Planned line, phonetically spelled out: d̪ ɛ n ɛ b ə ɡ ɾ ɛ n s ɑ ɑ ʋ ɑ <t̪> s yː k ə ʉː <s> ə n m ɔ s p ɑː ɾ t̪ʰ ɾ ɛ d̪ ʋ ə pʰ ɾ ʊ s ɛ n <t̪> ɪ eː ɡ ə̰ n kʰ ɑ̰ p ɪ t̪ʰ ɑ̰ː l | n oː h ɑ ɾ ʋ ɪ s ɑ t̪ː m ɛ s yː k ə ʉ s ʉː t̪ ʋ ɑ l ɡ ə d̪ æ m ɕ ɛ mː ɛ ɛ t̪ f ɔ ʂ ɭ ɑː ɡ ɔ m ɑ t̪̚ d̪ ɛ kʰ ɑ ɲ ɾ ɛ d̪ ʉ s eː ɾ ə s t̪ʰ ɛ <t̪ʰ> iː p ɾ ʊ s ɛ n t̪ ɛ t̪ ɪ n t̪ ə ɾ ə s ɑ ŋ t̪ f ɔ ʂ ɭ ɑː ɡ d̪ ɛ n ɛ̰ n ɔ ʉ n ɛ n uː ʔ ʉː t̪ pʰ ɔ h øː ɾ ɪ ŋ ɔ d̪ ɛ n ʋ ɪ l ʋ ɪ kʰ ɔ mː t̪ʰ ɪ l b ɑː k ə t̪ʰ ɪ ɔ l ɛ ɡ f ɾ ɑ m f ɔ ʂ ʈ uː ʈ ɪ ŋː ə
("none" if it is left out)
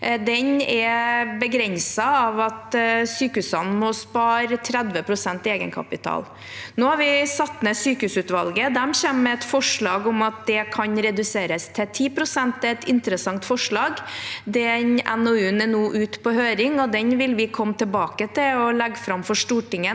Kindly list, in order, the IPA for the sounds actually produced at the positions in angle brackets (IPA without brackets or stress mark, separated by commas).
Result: t̪, s, t̪, t̪ʰ